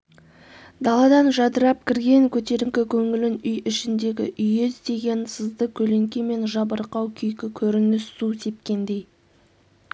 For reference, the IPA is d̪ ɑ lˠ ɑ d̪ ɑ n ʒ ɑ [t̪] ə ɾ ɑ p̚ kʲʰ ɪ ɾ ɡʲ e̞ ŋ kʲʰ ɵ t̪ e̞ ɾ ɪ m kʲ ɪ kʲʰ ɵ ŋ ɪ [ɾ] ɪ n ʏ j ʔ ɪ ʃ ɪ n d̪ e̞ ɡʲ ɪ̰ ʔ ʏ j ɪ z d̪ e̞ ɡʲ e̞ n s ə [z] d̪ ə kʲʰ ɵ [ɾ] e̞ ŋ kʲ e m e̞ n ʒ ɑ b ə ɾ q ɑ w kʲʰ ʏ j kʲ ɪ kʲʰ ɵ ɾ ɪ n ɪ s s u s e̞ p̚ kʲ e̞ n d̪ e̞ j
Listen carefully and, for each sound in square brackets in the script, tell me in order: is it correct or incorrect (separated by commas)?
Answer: incorrect, incorrect, correct, incorrect